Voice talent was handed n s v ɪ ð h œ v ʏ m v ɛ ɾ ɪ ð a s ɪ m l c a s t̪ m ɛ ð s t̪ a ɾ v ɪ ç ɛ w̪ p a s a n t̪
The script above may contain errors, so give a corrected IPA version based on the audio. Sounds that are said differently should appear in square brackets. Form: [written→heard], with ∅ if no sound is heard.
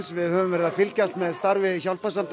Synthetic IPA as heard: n s v ɪ ð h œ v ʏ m v ɛ ɾ ɪ ð a [s→f] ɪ [m→∅] l c a s t̪ m ɛ ð s t̪ a ɾ v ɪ ç [ɛ→a] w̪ p a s a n t̪